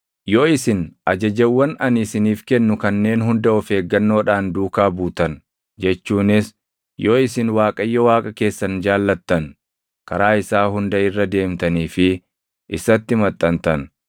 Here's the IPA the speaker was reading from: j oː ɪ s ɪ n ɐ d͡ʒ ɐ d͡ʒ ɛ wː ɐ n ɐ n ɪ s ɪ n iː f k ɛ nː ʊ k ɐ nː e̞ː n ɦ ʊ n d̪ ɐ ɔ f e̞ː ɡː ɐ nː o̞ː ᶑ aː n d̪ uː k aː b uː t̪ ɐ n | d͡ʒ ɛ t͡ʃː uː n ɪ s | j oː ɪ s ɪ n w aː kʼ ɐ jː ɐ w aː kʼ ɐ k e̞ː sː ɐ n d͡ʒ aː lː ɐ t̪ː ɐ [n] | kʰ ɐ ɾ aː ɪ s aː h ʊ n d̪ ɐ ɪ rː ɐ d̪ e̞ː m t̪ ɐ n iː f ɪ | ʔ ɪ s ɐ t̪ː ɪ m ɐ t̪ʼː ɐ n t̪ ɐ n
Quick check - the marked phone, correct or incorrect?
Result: correct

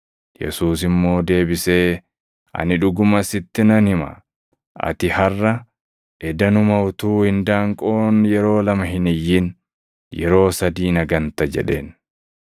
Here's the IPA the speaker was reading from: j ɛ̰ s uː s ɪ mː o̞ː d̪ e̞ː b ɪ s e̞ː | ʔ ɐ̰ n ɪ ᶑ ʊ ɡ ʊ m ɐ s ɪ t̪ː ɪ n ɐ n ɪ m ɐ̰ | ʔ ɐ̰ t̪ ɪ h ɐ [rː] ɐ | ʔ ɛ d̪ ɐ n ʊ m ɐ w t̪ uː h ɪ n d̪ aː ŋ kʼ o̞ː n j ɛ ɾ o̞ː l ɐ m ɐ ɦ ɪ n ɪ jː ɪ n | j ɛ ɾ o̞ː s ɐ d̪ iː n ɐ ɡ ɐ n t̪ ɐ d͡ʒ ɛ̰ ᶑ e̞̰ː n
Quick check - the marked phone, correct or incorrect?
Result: correct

